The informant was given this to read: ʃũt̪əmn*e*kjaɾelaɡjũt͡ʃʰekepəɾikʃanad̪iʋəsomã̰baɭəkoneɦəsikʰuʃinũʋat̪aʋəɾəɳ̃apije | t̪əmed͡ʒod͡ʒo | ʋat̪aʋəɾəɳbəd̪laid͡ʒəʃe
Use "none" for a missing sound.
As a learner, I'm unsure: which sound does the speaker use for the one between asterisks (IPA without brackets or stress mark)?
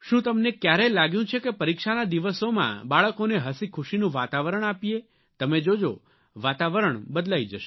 e